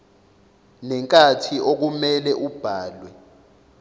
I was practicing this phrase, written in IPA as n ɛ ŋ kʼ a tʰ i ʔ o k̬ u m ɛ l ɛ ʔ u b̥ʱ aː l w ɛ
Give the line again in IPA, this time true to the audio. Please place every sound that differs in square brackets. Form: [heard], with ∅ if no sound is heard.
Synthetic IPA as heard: n ɛ ŋ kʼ a tʰ i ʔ o k̬ u m ɛ l ɛ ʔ u b̥ʱ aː l w ɛ